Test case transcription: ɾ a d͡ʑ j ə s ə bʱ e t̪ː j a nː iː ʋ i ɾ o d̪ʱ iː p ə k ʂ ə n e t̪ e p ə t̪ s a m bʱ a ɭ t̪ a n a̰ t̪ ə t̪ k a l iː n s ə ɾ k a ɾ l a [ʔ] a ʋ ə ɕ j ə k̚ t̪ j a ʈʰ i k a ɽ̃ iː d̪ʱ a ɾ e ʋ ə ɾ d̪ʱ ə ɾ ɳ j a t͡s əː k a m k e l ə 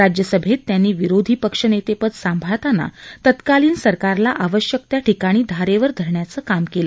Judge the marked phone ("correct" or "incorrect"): correct